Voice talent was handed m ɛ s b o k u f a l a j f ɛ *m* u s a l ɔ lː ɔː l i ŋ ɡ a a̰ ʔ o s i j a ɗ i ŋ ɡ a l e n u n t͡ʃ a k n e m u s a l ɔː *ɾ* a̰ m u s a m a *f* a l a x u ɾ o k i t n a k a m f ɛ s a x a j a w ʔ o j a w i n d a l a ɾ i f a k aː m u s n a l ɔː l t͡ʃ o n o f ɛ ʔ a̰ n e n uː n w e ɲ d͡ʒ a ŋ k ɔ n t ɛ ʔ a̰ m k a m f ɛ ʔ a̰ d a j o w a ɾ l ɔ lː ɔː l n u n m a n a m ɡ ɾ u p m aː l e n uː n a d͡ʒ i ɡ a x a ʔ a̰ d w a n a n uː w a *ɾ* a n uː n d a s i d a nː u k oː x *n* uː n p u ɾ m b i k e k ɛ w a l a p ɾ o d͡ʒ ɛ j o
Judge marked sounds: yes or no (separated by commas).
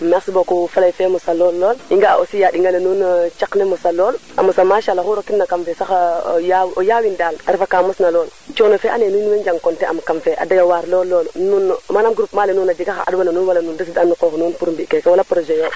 yes, no, no, no, yes